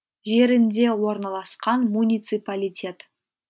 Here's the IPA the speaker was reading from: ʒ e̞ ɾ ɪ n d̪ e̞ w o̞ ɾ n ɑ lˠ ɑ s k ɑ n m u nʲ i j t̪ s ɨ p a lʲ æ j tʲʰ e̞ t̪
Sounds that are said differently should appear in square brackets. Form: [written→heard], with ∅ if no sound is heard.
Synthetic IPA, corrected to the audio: ʒ e̞ ɾ ɪ n d̪ e̞ w o̞ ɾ n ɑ lˠ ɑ s [k→q] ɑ n m u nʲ i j t̪ s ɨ p a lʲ [æ→i] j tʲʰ e̞ t̪

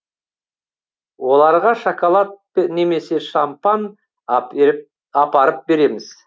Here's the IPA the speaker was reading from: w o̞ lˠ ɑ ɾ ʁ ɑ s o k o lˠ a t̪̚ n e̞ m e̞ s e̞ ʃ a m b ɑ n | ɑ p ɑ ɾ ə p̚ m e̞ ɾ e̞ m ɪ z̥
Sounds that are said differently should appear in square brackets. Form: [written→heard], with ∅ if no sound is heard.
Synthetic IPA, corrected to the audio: w o̞ lˠ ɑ ɾ ʁ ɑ [s→ʃ] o k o lˠ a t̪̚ n e̞ m e̞ s e̞ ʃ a m [b→p] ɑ n | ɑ p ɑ ɾ ə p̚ [m→b] e̞ ɾ e̞ m ɪ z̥

